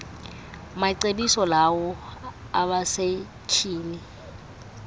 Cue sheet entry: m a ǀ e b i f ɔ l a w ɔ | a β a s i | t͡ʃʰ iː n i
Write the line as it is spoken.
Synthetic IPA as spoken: m a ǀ e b i s ɔ l a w ɔ | a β a s e | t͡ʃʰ iː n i